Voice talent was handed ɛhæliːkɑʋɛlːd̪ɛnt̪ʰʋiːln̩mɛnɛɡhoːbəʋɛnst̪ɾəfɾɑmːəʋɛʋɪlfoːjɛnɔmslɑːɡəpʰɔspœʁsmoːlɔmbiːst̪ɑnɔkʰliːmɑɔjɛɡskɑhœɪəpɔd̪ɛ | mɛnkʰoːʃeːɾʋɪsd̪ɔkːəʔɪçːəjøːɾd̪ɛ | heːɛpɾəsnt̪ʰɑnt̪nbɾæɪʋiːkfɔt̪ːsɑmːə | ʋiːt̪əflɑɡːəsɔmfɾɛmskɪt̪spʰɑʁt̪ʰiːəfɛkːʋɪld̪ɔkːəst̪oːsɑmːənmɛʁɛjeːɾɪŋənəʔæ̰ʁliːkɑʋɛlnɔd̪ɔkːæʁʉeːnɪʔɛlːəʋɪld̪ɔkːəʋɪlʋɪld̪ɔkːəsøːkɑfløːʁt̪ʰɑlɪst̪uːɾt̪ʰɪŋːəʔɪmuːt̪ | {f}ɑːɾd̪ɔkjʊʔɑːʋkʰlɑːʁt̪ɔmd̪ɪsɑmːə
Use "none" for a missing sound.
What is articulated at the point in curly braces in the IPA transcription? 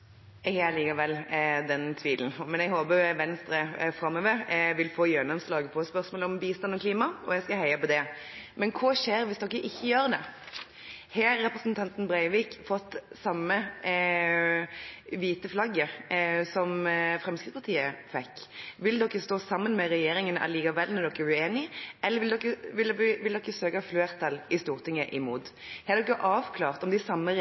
h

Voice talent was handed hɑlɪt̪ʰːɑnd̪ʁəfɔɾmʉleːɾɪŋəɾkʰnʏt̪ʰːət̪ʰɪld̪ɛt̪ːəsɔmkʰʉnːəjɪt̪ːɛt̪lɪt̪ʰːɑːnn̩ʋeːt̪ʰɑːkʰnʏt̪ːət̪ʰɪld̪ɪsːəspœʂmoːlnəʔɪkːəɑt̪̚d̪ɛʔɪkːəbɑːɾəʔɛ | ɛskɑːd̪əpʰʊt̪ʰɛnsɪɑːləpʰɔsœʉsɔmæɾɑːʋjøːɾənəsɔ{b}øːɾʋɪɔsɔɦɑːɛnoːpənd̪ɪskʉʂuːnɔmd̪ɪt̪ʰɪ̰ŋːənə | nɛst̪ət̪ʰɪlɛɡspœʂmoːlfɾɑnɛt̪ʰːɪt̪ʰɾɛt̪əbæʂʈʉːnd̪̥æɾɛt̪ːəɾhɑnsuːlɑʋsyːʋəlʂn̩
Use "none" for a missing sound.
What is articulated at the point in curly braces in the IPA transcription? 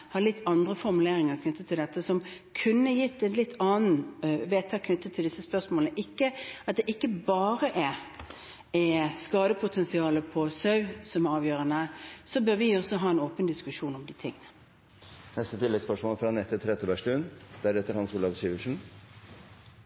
b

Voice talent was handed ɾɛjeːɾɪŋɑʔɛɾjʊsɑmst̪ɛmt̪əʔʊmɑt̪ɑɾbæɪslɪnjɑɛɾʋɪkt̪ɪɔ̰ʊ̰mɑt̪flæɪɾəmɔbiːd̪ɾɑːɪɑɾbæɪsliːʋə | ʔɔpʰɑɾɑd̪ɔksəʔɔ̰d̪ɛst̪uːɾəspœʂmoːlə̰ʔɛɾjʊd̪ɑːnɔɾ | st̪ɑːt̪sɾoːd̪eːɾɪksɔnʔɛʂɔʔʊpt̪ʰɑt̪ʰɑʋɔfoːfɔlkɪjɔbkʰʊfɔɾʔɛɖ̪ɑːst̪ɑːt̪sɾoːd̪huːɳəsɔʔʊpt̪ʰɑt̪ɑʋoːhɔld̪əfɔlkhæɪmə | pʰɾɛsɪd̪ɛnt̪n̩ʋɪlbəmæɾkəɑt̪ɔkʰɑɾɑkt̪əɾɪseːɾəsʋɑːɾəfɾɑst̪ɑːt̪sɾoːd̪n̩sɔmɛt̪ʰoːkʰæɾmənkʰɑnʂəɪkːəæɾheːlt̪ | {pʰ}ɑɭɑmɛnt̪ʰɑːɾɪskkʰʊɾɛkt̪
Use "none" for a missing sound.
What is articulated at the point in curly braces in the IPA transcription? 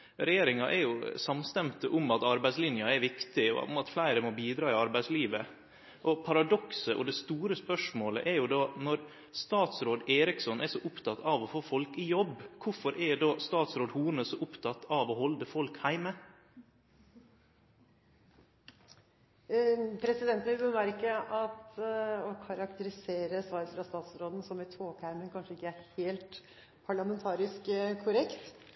pʰ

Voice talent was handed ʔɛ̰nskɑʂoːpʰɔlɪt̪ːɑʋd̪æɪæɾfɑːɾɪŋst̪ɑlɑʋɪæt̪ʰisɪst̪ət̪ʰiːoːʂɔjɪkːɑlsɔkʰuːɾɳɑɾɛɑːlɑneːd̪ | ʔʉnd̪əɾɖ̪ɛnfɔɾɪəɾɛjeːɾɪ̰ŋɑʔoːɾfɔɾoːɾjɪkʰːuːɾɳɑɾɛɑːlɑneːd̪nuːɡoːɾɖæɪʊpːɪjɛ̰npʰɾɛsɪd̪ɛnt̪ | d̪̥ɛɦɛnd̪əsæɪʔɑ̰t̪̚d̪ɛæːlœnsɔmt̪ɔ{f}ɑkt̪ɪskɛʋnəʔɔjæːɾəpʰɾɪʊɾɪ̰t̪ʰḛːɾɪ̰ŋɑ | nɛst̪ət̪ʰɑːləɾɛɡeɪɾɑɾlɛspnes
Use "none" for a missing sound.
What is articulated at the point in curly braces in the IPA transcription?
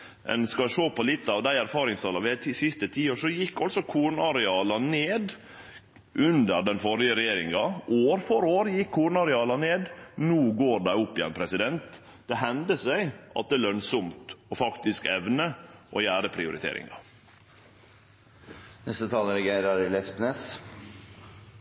f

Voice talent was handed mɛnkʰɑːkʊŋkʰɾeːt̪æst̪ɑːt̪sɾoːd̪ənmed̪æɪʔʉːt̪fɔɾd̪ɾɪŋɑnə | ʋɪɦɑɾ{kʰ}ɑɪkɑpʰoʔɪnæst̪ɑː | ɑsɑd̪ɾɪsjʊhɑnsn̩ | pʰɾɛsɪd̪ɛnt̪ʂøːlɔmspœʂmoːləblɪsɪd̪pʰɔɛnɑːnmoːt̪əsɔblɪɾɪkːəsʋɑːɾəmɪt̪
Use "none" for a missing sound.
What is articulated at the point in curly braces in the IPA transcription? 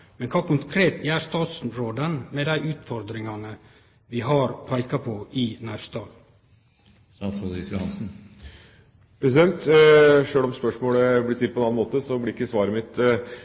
pʰ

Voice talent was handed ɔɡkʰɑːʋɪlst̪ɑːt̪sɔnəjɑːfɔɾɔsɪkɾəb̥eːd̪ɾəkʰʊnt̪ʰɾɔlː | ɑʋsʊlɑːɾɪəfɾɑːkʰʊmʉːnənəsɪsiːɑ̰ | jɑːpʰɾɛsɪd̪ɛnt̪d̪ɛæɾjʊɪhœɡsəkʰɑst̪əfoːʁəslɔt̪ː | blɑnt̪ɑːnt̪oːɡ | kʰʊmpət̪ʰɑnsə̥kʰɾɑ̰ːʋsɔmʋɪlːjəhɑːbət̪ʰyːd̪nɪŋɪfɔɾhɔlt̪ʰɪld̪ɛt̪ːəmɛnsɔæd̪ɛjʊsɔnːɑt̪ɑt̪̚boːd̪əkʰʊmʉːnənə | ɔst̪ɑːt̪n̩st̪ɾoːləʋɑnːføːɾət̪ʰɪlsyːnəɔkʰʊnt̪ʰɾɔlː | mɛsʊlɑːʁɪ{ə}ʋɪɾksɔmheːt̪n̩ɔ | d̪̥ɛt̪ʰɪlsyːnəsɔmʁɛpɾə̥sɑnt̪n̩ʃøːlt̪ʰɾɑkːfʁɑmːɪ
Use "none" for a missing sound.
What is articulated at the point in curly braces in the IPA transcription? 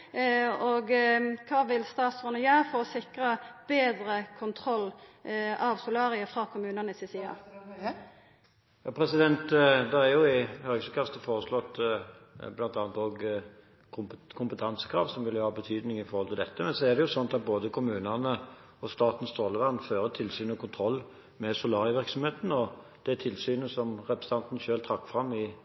ə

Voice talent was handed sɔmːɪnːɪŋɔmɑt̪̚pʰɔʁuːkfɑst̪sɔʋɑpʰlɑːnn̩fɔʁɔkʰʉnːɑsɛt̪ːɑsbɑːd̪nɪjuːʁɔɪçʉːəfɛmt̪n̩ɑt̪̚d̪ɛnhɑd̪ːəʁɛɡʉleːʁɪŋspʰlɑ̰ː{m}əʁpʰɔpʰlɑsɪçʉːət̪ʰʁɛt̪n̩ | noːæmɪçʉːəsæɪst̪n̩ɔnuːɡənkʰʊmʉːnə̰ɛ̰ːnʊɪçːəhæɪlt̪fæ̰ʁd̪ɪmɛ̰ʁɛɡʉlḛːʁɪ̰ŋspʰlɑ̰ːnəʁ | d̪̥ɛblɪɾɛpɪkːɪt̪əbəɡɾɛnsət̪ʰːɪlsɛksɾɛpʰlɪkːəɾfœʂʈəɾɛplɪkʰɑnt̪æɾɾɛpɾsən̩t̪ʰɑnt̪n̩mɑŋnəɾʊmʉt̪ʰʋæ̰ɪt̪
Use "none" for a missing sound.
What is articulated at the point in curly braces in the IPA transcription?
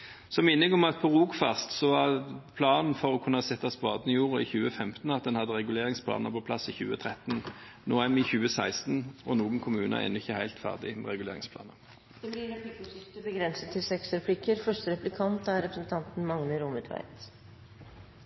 n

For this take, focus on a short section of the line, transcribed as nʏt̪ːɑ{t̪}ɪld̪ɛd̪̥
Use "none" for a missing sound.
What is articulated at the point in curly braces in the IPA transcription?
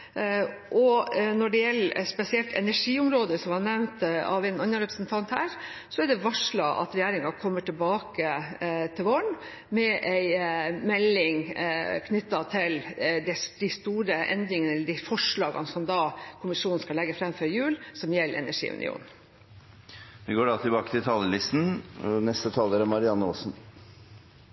t̪ʰ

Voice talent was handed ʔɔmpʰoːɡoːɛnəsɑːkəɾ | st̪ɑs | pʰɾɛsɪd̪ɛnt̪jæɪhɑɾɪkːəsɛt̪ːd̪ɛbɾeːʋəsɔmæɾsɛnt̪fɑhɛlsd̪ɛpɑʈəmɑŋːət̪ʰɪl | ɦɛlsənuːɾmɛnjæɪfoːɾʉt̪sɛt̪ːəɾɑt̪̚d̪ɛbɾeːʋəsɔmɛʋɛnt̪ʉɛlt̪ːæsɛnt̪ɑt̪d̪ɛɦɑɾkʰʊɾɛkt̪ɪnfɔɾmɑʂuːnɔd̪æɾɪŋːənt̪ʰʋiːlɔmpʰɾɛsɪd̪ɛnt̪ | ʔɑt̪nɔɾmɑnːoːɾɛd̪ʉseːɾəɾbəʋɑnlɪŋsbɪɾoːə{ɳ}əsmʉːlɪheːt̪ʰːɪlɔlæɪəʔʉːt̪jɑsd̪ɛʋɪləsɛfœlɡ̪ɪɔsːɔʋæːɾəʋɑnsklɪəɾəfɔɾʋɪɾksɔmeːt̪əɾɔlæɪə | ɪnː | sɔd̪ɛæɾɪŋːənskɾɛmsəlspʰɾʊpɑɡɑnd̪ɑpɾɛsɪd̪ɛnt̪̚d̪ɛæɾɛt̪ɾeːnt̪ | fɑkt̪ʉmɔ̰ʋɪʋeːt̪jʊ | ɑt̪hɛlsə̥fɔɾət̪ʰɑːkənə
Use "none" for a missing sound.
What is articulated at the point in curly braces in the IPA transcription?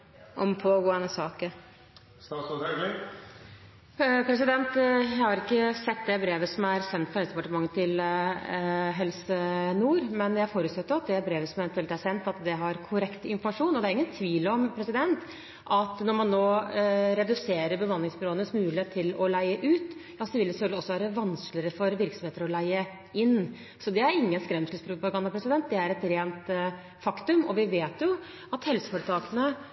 n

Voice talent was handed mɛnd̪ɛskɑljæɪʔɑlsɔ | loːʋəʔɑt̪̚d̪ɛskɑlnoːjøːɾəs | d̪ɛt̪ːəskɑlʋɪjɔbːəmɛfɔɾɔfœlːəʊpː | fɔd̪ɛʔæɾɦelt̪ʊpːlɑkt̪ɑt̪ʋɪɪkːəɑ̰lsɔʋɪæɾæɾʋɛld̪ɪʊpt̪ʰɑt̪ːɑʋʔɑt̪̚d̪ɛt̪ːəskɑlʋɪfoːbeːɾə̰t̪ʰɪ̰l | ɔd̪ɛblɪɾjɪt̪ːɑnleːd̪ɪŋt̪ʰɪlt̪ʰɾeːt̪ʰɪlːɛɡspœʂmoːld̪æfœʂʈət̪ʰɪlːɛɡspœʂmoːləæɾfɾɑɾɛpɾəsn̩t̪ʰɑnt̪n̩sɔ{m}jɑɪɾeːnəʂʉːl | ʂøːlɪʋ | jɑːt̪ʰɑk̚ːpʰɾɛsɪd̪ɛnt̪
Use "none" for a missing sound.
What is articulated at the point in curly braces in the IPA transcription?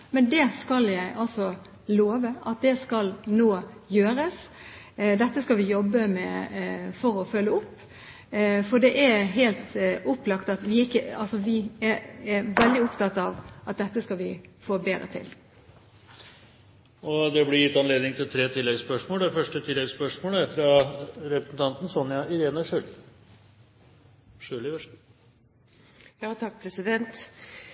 n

